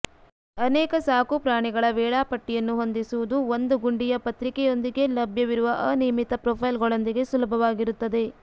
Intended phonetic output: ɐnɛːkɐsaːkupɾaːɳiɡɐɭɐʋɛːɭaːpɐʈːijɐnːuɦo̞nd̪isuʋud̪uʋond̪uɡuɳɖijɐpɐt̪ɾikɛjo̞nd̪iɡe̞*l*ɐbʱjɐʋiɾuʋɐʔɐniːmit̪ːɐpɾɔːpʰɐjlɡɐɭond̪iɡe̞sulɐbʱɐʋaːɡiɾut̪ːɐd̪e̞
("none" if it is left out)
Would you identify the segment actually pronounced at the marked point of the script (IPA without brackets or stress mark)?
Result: l